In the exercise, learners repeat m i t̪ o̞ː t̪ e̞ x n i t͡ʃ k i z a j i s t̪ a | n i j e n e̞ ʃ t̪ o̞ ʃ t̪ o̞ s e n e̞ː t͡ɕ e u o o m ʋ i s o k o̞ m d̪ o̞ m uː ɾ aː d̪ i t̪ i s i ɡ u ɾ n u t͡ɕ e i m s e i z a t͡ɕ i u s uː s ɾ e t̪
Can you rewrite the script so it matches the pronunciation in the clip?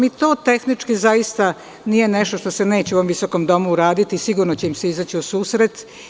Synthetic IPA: m i t̪ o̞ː t̪ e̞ x n i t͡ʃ k i z a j i s t̪ a | n i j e n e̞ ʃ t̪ o̞ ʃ t̪ o̞ s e n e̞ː t͡ɕ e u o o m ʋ i s o k o̞ m d̪ o̞ m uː ɾ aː d̪ i t̪ i s i ɡ u ɾ n o t͡ɕ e i m s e i z a t͡ɕ i u s uː s ɾ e t̪